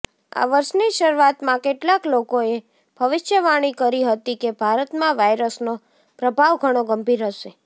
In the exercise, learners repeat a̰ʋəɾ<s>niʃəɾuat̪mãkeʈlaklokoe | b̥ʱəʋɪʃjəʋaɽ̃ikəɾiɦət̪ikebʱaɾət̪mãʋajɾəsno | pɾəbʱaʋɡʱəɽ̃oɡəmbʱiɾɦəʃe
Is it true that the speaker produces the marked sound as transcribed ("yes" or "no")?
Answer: no